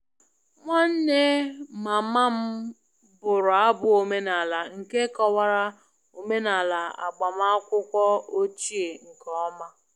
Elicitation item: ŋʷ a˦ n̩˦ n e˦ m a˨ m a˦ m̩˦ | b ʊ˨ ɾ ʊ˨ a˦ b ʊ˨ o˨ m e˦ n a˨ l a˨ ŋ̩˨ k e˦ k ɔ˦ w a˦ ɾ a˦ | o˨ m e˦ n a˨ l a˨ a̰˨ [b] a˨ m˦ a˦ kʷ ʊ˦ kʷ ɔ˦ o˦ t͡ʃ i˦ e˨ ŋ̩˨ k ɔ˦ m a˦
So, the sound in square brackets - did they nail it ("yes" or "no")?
no